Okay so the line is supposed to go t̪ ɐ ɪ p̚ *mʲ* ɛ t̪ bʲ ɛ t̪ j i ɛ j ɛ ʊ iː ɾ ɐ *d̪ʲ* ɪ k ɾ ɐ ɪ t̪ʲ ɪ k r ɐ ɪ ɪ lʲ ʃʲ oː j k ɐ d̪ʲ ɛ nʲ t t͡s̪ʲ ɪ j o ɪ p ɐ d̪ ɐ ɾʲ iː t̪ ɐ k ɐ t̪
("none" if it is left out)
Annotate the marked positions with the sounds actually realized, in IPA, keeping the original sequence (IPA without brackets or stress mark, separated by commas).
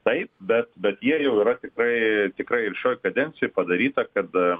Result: bʲ, t̪ʲ